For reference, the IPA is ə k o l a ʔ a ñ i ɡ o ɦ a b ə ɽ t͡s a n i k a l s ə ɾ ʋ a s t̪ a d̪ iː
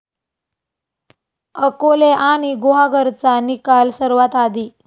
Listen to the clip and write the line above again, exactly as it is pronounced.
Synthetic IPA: ə k o l e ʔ a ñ i ɡ o ɦ a ɡ ə ɾ t͡s a n i k a l s ə ɾ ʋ a t̪ a d̪ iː